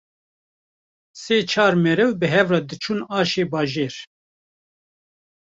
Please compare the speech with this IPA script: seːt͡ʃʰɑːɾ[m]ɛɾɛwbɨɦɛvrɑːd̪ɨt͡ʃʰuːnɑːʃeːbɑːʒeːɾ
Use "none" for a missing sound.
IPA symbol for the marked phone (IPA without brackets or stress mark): m